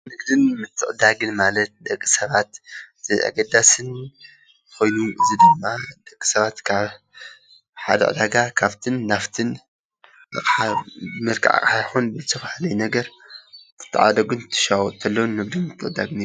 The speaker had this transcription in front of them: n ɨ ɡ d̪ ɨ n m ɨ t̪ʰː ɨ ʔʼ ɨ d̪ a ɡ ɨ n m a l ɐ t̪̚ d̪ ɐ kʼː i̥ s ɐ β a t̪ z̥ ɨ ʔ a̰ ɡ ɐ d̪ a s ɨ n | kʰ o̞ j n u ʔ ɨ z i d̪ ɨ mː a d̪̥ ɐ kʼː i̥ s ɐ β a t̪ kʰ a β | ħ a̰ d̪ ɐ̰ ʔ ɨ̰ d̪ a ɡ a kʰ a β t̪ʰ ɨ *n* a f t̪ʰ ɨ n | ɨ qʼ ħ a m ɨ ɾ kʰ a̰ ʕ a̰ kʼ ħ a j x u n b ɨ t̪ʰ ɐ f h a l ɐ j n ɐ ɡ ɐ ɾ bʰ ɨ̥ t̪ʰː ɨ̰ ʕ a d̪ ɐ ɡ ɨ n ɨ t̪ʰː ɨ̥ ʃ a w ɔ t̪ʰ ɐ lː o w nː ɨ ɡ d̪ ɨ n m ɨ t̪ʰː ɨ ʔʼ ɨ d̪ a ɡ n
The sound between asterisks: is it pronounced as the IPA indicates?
no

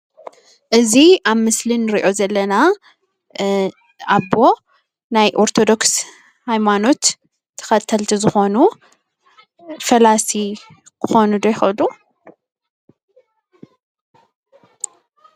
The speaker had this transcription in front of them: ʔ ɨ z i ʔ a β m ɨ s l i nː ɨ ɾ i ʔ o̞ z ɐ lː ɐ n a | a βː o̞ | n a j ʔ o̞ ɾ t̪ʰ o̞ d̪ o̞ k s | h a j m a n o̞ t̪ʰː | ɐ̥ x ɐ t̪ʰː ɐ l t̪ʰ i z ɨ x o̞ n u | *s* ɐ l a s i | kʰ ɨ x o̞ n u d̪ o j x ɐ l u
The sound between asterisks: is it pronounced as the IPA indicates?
no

